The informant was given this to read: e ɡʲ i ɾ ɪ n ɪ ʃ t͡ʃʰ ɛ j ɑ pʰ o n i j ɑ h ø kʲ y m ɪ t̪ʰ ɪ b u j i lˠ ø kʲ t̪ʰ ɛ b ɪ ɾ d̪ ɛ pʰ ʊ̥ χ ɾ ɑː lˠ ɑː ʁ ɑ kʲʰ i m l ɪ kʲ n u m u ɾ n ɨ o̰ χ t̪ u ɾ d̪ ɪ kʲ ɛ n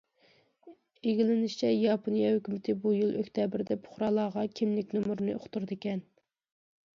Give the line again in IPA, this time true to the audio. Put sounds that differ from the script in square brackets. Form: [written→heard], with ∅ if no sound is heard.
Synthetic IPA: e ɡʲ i [ɾ→l] ɪ n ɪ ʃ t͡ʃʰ ɛ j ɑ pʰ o n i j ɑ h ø kʲ y m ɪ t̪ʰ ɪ b u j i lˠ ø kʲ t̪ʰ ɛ b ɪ ɾ d̪ ɛ pʰ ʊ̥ χ ɾ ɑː lˠ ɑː ʁ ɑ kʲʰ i m l ɪ kʲ n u m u ɾ n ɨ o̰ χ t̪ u ɾ d̪ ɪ kʲ ɛ n

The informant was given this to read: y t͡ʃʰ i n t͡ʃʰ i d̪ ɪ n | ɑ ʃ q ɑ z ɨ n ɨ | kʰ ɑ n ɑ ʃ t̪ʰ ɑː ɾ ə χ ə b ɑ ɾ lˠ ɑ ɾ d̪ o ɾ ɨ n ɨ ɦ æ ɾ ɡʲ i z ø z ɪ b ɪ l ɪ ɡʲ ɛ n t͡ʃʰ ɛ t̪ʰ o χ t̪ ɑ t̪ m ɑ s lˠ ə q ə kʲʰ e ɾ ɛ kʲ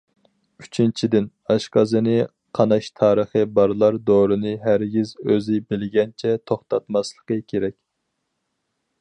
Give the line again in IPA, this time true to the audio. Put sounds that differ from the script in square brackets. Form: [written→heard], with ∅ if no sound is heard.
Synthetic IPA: y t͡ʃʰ i n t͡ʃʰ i d̪ ɪ n | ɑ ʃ q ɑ z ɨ n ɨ | [kʰ→qʰ] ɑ n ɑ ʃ t̪ʰ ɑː ɾ ə χ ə b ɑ ɾ lˠ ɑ ɾ d̪ o ɾ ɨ n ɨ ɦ æ ɾ ɡʲ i z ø z ɪ b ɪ l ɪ ɡʲ ɛ n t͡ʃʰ ɛ t̪ʰ o χ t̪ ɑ t̪ m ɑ s lˠ ə q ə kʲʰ e ɾ ɛ kʲ

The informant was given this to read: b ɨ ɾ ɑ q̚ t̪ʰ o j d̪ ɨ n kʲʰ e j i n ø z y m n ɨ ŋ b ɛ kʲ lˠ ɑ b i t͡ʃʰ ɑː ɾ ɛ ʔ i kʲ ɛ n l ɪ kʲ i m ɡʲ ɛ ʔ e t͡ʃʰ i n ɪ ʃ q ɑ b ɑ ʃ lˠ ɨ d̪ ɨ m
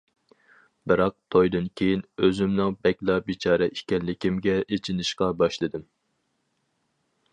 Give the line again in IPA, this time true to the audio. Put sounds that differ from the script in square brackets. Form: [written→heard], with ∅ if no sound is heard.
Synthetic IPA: b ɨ ɾ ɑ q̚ t̪ʰ o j d̪ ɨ n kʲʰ e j i n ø z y m n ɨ ŋ b ɛ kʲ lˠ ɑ b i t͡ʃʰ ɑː ɾ ɛ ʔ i kʲ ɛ n l ɪ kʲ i m ɡʲ ɛ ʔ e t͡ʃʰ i n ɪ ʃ q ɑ b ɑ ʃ lˠ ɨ d̪ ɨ m

